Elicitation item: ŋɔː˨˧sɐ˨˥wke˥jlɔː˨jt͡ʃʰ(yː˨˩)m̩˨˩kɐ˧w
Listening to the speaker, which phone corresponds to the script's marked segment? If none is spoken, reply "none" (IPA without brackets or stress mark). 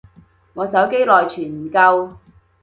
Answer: yː˨˩